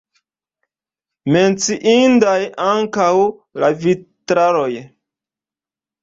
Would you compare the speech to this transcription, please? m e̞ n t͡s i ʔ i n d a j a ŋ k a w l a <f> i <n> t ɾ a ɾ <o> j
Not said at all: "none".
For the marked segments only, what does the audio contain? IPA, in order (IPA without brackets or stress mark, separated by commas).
v, none, o